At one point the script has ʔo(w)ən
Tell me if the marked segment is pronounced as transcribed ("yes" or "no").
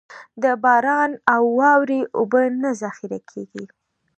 no